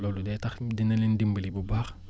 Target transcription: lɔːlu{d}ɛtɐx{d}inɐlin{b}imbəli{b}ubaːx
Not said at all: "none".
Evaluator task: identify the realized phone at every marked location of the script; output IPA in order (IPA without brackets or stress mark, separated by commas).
d, d, d, b